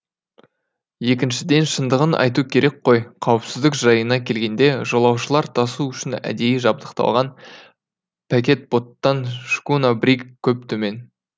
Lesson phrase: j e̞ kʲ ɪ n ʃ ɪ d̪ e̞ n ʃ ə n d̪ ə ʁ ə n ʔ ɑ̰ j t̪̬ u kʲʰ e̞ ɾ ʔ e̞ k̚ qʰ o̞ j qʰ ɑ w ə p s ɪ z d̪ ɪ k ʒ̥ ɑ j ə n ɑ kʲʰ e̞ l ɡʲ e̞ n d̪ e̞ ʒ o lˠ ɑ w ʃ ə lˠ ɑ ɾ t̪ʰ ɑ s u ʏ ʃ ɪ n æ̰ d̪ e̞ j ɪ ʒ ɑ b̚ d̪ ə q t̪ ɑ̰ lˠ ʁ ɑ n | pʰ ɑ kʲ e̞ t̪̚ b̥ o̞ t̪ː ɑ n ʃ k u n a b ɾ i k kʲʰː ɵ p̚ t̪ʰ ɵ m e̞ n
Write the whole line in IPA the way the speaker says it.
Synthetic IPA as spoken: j e̞ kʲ ɪ n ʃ ɪ d̪ e̞ n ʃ ə n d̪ ə ʁ ə n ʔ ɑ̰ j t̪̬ u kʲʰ e̞ ɾ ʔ e̞ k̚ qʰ o̞ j qʰ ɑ w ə p s ɪ z d̪ ɪ k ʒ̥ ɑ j ə n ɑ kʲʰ e̞ l ɡʲ e̞ n d̪ e̞ ʒ o lˠ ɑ w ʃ ə lˠ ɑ ɾ t̪ʰ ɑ s u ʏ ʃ ɪ n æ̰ d̪ e̞ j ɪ ʒ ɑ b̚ d̪ ə q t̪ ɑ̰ lˠ ʁ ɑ n | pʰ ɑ kʲ e̞ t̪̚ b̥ o̞ t̪ː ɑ n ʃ k u n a b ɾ i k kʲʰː ɵ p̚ t̪ʰ ɵ m e̞ n